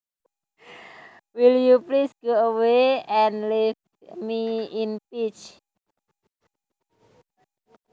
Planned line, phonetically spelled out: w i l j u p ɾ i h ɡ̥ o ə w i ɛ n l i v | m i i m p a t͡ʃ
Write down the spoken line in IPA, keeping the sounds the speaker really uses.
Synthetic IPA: w i l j u p l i s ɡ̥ o ə w e ɛ n l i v | m i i n p i t͡ʃ